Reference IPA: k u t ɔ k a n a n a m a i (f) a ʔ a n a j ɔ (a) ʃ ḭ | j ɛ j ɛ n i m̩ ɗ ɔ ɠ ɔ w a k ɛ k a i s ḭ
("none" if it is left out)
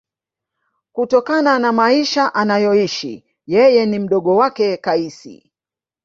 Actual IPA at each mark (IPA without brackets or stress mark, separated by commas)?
ʃ, i